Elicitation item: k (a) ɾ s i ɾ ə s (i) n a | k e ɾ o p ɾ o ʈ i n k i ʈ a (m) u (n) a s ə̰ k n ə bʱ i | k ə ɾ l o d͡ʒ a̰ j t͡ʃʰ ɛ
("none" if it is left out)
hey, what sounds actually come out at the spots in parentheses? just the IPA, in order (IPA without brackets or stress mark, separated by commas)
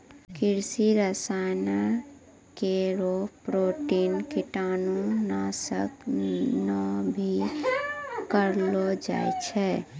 i, a, n, n